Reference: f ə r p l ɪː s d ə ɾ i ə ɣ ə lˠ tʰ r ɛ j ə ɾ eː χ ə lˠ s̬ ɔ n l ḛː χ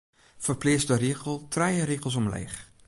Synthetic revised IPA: f ə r p l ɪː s d ə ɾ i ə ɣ ə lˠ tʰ r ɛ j ə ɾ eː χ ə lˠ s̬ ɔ m l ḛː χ